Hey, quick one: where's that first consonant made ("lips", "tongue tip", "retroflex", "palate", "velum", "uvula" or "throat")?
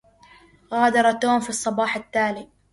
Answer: velum